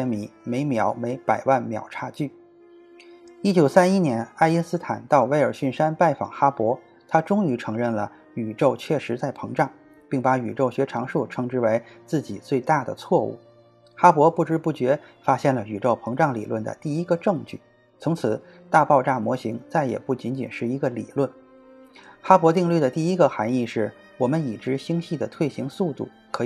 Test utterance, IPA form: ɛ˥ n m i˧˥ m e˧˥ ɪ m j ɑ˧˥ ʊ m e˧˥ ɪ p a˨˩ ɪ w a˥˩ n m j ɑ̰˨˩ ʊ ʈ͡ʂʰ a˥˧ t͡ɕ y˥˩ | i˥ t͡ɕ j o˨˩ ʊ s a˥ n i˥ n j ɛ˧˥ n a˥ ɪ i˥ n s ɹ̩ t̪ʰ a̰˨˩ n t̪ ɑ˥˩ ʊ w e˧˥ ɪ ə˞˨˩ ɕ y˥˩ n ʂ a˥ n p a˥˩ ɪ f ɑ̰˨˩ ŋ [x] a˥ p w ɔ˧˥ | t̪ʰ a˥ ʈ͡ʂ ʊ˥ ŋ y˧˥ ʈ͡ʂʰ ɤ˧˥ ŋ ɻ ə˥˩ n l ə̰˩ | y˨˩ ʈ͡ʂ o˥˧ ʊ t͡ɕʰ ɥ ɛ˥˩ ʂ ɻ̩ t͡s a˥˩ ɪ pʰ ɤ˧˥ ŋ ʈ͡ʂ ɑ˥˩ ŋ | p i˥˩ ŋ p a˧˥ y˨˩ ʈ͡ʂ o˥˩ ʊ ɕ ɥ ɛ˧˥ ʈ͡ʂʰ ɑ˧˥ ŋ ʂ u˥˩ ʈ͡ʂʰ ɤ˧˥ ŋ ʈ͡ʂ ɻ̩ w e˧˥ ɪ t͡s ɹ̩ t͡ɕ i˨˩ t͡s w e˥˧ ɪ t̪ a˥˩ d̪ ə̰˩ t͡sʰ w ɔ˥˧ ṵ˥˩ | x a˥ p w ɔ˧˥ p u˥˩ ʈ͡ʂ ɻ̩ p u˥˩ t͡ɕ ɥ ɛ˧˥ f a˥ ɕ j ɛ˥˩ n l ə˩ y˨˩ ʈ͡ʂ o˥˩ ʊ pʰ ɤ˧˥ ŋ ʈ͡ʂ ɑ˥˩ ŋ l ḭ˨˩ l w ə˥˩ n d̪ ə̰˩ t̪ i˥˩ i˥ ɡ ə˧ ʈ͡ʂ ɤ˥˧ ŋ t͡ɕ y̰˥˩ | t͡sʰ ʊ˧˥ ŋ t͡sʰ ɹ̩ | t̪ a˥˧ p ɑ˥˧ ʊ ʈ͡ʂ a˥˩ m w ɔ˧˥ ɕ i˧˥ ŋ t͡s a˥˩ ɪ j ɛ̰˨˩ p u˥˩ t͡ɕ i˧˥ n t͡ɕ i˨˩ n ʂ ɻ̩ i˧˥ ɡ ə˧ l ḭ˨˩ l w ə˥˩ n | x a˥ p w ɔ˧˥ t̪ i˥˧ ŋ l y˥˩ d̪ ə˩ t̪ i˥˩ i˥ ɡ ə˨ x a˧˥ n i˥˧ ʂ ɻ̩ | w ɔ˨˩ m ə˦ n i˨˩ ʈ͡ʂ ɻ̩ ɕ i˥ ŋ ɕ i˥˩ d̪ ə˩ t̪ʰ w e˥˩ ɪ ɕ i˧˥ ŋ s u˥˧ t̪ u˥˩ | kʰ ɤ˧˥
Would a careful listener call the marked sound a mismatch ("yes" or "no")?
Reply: no